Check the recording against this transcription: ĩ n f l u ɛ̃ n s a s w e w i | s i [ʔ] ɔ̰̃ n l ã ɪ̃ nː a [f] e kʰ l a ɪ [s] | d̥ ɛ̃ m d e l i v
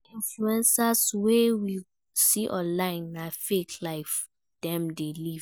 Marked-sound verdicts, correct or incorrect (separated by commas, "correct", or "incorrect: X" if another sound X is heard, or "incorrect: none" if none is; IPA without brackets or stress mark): correct, correct, incorrect: f